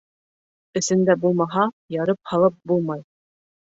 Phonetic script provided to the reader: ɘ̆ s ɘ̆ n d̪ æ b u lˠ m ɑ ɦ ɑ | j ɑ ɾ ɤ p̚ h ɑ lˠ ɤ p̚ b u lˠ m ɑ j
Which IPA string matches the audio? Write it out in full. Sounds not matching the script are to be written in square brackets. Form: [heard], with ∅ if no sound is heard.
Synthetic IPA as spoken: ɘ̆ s ɘ̆ n d̪ æ b u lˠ m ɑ ɦ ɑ | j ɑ ɾ ɤ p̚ h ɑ lˠ ɤ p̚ b u lˠ m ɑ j